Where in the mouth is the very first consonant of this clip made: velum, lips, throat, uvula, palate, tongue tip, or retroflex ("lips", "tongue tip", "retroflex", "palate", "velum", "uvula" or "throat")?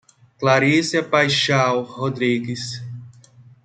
velum